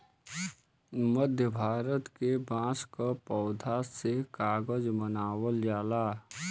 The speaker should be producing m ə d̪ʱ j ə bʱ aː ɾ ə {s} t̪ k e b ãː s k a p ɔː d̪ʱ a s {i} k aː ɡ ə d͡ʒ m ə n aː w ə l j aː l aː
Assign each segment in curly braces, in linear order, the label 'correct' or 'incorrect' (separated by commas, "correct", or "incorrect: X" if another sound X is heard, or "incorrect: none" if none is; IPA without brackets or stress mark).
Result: incorrect: none, incorrect: e